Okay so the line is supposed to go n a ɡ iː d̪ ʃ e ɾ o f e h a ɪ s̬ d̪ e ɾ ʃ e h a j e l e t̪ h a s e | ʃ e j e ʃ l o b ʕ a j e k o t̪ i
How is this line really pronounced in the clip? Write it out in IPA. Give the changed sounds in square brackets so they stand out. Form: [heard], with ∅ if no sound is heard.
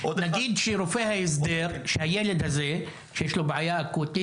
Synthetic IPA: n a ɡ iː d̪ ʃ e ɾ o f e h a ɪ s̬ d̪ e ɾ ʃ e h a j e l e [d̪] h a [z] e | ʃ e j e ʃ l o b ʕ a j [a] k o t̪ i